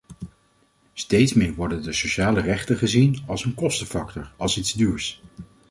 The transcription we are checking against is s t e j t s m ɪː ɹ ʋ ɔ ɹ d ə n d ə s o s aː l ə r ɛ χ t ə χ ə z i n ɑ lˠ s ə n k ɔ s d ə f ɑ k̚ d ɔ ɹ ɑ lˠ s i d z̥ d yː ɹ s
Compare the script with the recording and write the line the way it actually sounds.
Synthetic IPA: s t e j t s m ɪː ɹ ʋ ɔ ɹ d ə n d ə s o ʃ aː l ə r ɛ χ t ə χ ə z i n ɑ lˠ s ə n k ɔ s t ə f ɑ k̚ t ɔ ɹ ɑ lˠ s i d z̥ d yː ɹ s